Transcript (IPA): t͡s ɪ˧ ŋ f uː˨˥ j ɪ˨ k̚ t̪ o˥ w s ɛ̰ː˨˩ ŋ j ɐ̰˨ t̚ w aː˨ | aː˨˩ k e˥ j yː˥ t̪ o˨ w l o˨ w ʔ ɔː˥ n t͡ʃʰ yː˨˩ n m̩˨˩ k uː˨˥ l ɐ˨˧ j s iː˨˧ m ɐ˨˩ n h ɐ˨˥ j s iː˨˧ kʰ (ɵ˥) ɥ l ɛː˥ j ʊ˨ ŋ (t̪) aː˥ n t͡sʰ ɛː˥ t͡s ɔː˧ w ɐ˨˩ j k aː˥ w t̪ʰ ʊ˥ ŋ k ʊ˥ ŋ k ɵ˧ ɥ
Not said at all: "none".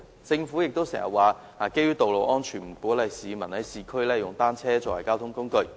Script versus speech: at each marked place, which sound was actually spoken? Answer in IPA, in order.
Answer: ɵ˥, t̪

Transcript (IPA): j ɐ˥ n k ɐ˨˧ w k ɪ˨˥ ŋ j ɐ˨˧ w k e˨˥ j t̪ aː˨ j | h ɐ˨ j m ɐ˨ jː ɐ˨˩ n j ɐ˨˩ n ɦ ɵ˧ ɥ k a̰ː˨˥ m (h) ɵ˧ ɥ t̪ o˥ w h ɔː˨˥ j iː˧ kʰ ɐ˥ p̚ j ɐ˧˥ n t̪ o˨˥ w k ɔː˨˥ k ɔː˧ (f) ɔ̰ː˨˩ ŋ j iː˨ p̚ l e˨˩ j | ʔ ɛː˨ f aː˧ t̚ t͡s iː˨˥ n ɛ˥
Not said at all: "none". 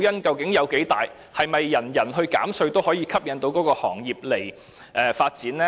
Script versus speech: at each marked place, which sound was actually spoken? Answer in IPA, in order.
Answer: s, h

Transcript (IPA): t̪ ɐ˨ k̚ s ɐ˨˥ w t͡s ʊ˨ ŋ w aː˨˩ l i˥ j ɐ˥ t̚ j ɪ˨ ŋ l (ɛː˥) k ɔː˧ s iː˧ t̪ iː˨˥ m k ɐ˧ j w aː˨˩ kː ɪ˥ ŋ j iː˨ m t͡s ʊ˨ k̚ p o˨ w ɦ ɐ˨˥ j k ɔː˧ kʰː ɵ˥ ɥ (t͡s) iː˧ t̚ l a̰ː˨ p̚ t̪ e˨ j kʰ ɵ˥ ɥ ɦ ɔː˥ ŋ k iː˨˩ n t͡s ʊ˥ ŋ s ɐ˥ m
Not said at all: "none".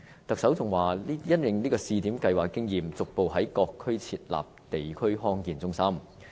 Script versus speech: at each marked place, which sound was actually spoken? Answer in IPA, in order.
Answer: iː˥, t͡sʰ

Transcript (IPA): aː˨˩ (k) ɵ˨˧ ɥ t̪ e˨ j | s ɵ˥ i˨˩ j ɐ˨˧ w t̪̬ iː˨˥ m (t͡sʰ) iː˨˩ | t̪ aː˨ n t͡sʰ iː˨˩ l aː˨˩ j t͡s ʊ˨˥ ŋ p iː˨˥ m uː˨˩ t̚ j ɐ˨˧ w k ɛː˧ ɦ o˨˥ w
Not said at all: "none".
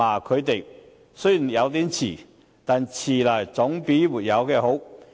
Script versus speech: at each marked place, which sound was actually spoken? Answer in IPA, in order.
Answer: kʰ, t͡sʰ

